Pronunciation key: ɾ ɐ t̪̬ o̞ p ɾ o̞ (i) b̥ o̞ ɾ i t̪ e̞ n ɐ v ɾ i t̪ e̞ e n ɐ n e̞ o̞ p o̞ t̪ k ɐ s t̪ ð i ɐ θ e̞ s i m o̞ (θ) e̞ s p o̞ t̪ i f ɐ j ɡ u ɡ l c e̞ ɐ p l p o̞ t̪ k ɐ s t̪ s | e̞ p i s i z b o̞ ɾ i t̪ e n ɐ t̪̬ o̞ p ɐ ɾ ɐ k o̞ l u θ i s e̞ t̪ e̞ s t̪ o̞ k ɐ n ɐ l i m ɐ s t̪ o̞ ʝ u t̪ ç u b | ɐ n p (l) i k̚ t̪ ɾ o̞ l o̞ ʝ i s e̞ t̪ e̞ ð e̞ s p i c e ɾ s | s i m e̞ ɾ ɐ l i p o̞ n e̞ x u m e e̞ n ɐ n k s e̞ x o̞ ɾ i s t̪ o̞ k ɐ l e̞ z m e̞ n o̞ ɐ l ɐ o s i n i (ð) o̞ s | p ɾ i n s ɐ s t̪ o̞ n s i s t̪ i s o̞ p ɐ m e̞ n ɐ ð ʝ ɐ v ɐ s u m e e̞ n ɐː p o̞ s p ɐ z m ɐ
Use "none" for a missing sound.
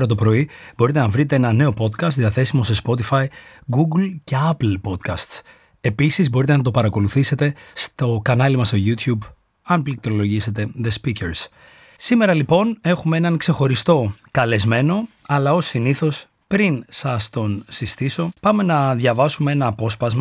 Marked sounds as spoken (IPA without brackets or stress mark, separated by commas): i, s, l, θ